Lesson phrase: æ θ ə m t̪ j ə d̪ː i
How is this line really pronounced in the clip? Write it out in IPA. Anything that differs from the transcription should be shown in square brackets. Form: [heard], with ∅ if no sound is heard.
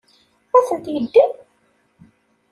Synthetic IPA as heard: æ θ ə [n] t̪ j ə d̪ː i